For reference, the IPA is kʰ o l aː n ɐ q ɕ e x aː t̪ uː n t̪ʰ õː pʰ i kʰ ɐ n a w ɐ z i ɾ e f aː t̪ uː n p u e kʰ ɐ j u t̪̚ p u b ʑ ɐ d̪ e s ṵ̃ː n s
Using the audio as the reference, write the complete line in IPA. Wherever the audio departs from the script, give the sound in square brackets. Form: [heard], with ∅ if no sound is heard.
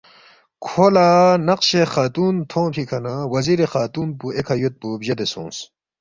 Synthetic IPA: kʰ o l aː n ɐ q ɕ e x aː t̪ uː n t̪ʰ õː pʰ i kʰ ɐ n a w ɐ z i ɾ e [x] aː t̪ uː n p u e kʰ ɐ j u t̪̚ p u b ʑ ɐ d̪ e s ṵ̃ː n s